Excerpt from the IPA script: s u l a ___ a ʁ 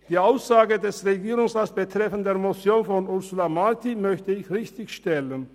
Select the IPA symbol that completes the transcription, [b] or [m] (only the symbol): m